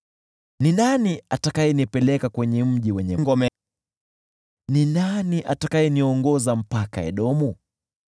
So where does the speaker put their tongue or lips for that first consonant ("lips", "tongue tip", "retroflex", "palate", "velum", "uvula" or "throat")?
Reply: tongue tip